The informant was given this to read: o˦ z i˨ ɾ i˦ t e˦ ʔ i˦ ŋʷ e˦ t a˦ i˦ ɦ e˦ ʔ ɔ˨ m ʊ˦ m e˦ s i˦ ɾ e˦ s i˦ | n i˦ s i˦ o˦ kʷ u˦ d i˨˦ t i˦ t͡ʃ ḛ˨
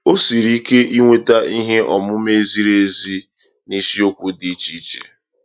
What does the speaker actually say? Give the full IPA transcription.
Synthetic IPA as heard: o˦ s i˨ ɾ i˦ k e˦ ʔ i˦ ŋʷ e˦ t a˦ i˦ ɦ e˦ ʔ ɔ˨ m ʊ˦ m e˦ z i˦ ɾ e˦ z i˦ | n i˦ s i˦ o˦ kʷ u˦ d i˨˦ t͡ʃ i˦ t͡ʃ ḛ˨